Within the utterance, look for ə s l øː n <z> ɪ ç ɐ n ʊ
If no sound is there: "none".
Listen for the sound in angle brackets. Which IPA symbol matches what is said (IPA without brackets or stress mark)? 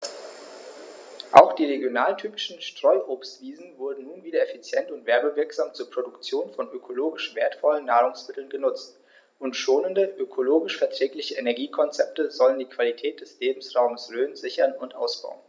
z